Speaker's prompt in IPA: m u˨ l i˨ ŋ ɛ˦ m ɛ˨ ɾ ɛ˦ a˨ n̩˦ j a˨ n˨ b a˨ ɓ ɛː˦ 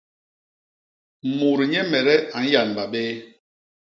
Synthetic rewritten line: m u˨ ɾ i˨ ɲ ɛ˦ m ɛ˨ ɾ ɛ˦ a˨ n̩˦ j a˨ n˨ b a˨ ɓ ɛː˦